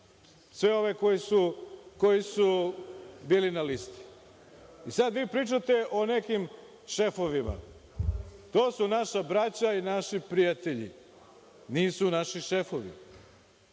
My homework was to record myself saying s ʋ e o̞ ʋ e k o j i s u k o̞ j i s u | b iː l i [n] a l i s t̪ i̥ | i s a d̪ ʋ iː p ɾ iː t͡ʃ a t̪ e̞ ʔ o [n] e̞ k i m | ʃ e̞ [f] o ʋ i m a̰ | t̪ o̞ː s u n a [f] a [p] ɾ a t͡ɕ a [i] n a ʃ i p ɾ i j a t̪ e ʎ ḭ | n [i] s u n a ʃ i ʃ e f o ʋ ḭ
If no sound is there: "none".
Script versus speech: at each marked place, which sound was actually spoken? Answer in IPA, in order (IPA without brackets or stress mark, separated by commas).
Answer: n, n, f, ʃ, b, i, iː